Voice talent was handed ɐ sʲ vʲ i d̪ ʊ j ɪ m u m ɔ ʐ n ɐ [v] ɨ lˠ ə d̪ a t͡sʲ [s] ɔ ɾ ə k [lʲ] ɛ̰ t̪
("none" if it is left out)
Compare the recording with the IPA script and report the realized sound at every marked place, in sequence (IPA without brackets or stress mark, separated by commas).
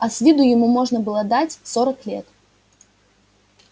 b, s, lʲ